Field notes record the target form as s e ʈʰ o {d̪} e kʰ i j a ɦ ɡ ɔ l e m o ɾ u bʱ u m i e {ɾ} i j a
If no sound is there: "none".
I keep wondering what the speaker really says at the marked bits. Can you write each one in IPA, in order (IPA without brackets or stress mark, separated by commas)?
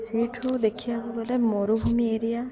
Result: d̪, ɾ